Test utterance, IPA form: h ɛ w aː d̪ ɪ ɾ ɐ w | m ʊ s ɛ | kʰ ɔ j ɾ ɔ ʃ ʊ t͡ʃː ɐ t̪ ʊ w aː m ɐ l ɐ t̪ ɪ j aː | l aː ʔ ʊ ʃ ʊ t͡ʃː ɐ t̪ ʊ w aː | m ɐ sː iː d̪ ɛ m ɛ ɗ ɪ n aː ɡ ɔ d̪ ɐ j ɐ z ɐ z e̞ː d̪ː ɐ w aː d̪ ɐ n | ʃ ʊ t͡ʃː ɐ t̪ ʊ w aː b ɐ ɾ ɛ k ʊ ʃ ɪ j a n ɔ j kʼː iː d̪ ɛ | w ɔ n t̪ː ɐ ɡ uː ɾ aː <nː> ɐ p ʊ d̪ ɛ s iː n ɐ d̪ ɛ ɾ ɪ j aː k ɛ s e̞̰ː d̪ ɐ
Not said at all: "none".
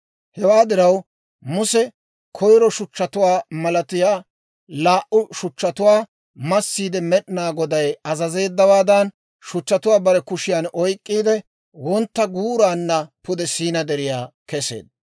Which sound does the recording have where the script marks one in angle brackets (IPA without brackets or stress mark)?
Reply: nː